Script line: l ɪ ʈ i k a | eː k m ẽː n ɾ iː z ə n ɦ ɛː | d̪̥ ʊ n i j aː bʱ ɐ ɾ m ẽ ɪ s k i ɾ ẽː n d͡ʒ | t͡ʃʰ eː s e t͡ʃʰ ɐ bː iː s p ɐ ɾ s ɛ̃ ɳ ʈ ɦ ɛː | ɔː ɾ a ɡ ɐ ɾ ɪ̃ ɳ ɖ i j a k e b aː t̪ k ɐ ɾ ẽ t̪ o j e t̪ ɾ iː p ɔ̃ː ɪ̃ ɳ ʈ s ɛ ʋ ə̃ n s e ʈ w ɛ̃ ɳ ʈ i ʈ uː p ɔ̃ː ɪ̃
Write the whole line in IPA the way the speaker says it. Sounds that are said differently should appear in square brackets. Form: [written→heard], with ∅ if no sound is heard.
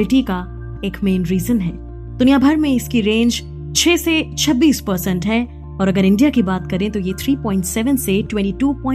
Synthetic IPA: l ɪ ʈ i k a | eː k m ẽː n ɾ iː z ə n ɦ ɛː | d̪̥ ʊ n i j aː bʱ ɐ ɾ m ẽ ɪ s k i ɾ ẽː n d͡ʒ | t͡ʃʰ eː s e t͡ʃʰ ɐ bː iː s p ɐ ɾ s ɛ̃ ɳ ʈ ɦ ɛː | ɔː ɾ [a→ɐ] ɡ [ɐ→ə] ɾ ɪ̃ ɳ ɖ i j a k [e→i] b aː t̪ k ɐ ɾ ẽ t̪ o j e [t̪→t̪ʰ] ɾ iː p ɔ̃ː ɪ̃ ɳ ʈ s ɛ ʋ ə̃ n s e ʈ w ɛ̃ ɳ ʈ i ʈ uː p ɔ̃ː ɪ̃